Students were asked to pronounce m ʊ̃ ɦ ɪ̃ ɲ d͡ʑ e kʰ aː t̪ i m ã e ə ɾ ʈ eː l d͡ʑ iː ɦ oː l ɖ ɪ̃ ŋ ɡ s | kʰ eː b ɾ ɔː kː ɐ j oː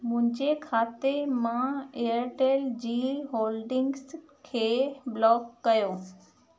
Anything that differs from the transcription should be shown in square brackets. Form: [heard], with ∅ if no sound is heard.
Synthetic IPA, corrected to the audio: m ʊ̃ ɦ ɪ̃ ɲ d͡ʑ e kʰ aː t̪ [e] m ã e ə ɾ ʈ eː l d͡ʑ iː ɦ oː l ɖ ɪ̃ ŋ ɡ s | kʰ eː b [l] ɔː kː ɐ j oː